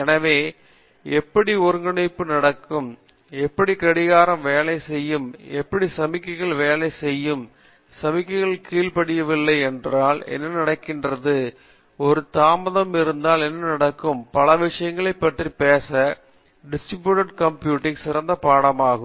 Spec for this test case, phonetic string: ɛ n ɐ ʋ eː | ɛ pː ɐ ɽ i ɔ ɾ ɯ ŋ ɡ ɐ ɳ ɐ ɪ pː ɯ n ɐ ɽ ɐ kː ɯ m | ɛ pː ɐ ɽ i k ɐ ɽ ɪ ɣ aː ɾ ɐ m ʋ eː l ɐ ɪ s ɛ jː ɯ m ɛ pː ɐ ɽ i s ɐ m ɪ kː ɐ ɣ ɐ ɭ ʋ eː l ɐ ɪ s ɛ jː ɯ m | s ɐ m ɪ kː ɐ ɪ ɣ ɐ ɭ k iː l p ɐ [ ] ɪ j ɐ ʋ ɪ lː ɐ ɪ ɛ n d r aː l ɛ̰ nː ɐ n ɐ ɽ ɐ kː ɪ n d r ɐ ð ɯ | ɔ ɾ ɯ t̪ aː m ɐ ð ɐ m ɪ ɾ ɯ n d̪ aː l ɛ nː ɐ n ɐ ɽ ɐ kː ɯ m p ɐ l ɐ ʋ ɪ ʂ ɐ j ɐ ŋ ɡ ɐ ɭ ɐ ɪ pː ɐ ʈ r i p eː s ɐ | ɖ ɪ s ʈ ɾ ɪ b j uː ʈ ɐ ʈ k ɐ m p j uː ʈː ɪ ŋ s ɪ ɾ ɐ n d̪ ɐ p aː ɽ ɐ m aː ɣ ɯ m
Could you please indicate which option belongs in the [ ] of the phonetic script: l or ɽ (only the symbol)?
ɽ